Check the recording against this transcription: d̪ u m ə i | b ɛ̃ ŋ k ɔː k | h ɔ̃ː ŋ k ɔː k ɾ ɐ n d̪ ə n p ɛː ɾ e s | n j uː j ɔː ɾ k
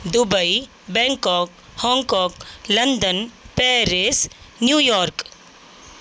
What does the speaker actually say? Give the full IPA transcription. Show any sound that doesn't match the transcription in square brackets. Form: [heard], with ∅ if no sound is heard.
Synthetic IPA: d̪ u [b] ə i | b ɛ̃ ŋ k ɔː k | h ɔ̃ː ŋ k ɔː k [l] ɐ n d̪ ə n p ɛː ɾ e s | n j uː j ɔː ɾ k